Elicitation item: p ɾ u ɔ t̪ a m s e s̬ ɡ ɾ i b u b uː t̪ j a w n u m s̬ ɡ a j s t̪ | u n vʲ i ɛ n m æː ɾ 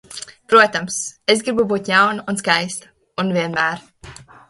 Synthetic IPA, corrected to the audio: p ɾ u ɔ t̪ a m s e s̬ ɡ ɾ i b u b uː t̪ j a w n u n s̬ k a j s t̪ | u n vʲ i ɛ n m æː ɾ